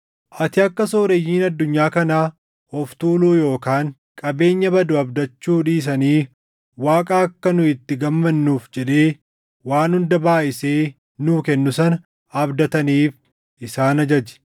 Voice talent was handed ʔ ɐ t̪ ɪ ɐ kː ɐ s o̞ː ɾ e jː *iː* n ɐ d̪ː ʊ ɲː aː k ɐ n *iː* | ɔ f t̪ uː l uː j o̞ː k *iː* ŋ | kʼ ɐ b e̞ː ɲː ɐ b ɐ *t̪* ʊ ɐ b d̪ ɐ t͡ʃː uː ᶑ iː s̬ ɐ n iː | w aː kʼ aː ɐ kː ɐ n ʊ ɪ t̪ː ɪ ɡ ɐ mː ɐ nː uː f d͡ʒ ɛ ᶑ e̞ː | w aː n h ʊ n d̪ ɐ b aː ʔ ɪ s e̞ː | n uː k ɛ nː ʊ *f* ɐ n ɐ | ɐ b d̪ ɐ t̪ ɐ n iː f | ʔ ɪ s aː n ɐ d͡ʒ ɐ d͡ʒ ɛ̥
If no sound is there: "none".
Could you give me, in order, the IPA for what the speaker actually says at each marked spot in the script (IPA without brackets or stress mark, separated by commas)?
iː, aː, aː, d̪, s